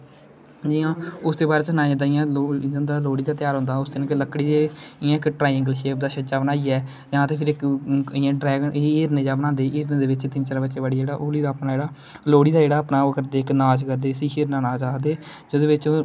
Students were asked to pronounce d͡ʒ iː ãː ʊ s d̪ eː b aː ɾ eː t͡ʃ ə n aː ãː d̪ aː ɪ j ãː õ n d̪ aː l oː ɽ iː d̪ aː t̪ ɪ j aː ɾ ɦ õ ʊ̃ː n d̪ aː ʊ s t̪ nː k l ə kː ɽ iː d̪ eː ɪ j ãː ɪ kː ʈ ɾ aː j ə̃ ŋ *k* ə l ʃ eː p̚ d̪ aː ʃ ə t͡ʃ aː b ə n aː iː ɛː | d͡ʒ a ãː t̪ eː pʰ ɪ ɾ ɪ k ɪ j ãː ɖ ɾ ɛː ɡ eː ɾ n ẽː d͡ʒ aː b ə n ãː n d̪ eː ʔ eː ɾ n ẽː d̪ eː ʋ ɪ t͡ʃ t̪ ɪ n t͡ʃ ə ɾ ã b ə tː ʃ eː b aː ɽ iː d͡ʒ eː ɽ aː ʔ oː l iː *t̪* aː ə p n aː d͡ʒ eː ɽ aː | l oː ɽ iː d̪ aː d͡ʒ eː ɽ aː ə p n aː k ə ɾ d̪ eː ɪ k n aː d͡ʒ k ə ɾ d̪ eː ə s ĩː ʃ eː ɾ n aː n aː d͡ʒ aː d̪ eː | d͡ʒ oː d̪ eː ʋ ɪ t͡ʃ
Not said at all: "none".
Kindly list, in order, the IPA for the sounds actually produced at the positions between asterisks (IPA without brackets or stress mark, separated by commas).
ɡ, d̪